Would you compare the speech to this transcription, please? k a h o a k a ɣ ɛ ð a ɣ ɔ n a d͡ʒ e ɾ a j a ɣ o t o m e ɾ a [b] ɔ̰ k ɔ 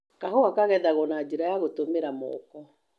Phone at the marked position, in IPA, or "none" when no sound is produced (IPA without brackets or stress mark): m